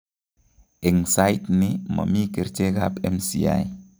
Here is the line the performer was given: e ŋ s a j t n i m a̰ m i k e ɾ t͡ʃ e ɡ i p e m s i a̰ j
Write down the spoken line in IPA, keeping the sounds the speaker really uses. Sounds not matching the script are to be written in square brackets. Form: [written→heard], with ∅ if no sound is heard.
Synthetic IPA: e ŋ s a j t n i m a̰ m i k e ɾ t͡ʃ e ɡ [i→a] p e m s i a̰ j